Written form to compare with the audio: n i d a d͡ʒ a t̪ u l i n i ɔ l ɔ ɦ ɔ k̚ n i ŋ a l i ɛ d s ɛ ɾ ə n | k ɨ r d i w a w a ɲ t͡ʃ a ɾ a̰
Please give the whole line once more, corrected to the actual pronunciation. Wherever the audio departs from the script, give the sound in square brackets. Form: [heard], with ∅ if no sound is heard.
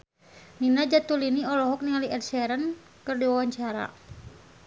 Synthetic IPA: n i [n] a d͡ʒ a t̪ u l i n i ɔ l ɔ ɦ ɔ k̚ n i ŋ a l i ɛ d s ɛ ɾ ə n | k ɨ r d i w a w a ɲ t͡ʃ a ɾ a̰